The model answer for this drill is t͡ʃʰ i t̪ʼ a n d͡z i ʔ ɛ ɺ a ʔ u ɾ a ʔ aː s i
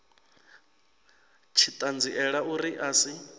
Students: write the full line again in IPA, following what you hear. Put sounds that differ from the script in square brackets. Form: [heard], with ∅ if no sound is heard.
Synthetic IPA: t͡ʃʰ i t̪ʼ a n d͡z i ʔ ɛ ɺ a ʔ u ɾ [i] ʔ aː s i